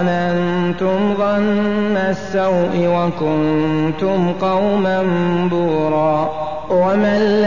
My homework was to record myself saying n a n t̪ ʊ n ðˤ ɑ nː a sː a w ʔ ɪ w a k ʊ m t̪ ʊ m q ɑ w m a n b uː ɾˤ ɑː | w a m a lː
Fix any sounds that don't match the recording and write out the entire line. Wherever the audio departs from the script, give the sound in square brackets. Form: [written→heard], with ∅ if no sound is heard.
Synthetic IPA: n a n t̪ ʊ [n→m] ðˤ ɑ nː a sː a w ʔ ɪ w a k ʊ [m→n] t̪ ʊ m q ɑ w m a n b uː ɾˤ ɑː | w a m a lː